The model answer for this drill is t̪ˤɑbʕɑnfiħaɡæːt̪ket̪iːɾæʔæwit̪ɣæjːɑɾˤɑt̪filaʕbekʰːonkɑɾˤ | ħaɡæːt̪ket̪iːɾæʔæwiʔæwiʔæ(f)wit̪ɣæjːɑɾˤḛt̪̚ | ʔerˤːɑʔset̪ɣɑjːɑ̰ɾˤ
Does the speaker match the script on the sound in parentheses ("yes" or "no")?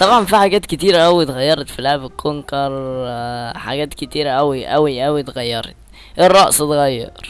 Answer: no